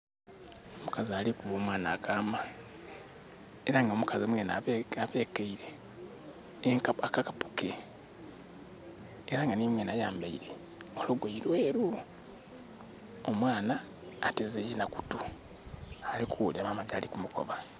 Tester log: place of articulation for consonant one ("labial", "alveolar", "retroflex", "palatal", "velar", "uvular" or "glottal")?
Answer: labial